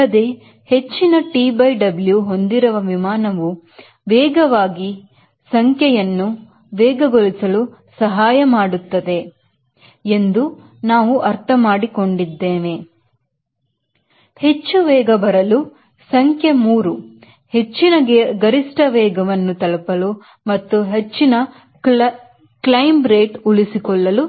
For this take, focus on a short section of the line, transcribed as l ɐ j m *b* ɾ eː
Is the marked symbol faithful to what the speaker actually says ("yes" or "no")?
yes